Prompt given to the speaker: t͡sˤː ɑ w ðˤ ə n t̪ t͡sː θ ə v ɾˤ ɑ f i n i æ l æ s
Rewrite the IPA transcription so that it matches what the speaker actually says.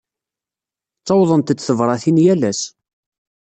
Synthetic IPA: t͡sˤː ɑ w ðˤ ə n t̪ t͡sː θ ə v ɾˤ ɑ θ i n j æ l æ s